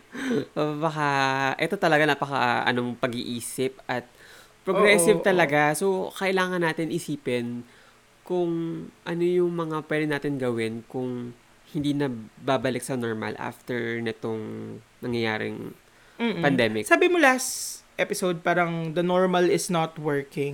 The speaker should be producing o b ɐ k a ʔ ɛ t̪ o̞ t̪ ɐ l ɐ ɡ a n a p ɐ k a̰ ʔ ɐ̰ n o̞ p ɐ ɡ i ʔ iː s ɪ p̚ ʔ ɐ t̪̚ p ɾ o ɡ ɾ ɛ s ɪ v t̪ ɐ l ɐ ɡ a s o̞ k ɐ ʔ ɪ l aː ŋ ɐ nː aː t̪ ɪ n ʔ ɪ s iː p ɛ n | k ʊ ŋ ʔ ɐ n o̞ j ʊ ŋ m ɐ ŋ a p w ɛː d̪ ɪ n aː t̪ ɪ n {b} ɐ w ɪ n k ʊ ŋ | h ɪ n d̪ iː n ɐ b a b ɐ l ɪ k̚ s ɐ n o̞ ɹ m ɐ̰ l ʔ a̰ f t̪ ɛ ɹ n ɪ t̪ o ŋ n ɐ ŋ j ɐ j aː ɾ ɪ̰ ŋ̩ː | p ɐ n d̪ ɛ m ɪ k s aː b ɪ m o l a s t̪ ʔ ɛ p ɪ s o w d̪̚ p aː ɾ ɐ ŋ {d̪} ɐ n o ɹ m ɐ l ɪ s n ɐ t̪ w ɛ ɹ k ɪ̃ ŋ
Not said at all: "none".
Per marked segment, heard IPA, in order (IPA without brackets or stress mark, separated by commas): ɡ, d̪